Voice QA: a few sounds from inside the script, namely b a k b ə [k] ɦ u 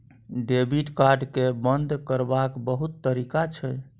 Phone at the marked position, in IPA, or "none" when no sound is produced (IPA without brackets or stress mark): none